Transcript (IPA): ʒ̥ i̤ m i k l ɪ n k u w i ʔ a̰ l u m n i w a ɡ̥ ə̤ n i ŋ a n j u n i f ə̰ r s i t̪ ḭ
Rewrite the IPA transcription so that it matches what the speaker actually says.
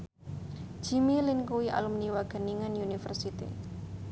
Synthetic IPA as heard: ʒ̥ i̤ m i l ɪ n k u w i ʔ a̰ l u m n i w a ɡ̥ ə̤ n i ŋ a n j u n i f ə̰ r s i t̪ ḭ